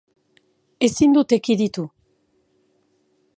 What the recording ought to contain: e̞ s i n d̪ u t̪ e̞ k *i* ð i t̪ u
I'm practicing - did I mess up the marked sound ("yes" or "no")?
no